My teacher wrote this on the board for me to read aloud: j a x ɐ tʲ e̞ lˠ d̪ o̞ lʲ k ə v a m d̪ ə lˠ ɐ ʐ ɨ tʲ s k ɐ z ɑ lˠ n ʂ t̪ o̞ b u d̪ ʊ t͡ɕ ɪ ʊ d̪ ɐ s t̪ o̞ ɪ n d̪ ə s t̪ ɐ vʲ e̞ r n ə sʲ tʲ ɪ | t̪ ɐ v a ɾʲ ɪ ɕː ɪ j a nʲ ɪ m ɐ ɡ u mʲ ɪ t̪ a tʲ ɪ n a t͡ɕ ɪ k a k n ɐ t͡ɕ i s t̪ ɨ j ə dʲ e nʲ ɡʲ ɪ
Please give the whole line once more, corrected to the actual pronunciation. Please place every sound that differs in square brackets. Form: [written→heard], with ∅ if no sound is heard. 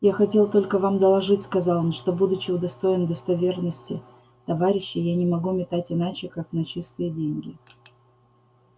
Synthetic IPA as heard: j a x ɐ tʲ e̞ lˠ [d̪→t̪] o̞ lʲ k ə v a m d̪ ə lˠ ɐ ʐ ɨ tʲ s k ɐ z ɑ lˠ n ʂ t̪ o̞ b u d̪ ʊ t͡ɕ ɪ ʊ d̪ ɐ s t̪ o̞ ɪ n d̪ ə s t̪ ɐ vʲ e̞ r n ə sʲ tʲ ɪ | t̪ ɐ v a ɾʲ ɪ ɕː ɪ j a nʲ ɪ m ɐ ɡ u mʲ ɪ t̪ a tʲ ɪ n a t͡ɕ ɪ k a k n ɐ t͡ɕ i s t̪ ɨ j ə dʲ e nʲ ɡʲ ɪ